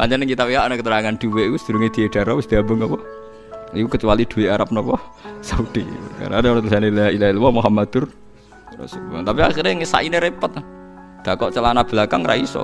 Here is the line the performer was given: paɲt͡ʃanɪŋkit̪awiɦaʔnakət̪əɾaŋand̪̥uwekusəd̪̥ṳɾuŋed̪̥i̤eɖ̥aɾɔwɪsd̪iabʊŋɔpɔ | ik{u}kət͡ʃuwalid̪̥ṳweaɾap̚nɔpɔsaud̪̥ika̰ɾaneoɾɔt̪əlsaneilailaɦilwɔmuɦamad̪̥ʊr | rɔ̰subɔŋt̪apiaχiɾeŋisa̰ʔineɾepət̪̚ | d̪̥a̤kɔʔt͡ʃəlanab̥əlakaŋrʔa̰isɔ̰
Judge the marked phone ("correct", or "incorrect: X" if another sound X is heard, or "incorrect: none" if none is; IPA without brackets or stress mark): correct